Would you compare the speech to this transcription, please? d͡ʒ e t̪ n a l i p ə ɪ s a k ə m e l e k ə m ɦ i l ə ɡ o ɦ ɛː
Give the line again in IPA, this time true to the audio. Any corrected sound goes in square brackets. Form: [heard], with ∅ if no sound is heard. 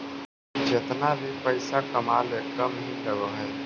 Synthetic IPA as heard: d͡ʒ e t̪ n a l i p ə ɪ s a k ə m [a] l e k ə m ɦ i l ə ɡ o ɦ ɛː